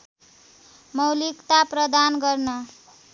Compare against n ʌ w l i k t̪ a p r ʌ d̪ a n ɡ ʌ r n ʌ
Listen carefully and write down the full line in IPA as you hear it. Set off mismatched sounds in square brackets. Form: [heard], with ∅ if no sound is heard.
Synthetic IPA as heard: [m] ʌ w l i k t̪ a p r ʌ d̪ a n ɡ ʌ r n ʌ